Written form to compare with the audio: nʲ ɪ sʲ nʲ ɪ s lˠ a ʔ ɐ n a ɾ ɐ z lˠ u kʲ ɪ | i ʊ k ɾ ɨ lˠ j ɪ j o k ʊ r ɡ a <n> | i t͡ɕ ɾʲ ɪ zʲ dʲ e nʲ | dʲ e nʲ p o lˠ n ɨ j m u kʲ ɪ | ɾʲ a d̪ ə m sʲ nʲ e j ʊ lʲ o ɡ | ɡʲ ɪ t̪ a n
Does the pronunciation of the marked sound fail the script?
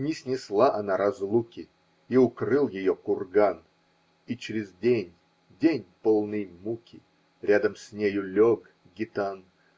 no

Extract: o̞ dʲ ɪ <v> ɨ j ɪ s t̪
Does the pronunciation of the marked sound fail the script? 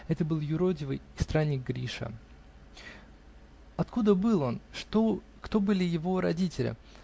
no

